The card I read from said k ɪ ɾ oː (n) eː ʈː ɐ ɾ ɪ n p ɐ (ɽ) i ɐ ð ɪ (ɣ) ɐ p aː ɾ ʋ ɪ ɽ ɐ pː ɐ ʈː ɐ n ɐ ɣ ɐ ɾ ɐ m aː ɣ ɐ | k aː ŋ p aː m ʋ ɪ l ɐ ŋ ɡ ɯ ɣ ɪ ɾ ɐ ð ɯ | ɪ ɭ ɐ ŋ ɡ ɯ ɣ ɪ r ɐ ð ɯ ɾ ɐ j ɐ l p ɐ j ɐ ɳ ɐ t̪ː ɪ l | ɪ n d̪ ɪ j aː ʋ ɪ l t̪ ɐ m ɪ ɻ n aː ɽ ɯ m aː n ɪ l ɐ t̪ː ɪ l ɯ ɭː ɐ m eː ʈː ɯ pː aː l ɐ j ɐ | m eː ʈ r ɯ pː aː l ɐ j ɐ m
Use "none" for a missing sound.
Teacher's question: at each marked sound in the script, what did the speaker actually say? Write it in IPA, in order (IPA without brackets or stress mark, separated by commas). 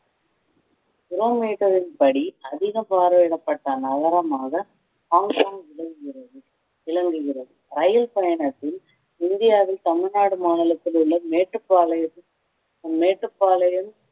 m, ɽ, ɣ